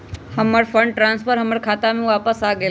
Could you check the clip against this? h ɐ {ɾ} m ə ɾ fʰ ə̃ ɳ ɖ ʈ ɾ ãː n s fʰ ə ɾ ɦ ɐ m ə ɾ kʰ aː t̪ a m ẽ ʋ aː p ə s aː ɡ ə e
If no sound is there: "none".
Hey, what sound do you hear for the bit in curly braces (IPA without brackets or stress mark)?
none